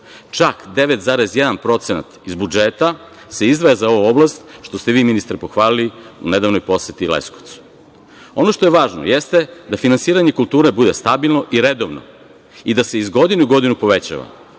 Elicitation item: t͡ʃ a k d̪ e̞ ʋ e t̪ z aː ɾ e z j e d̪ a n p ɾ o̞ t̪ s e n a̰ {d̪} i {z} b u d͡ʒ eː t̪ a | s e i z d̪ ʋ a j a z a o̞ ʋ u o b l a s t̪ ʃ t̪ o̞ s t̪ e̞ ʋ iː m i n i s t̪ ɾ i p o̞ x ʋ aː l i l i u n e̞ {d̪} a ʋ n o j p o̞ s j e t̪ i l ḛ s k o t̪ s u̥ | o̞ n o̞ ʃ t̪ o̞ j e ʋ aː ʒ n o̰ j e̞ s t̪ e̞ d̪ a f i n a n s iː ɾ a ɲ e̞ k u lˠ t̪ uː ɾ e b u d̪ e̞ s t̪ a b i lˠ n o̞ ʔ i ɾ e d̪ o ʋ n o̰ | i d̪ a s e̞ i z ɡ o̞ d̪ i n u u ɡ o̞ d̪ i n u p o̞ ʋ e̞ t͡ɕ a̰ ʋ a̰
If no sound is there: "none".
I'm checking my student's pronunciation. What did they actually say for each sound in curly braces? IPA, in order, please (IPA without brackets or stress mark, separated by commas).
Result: t̪, z, d̪